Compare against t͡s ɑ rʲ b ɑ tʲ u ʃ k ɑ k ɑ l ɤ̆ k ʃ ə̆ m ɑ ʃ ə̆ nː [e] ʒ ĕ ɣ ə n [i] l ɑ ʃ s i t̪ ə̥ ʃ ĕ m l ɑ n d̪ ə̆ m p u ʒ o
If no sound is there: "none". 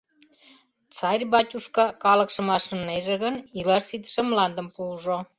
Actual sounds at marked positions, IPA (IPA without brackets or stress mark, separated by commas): e, i